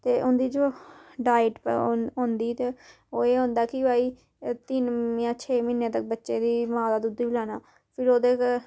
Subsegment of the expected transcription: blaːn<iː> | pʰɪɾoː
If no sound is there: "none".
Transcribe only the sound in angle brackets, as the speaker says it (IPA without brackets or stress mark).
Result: aː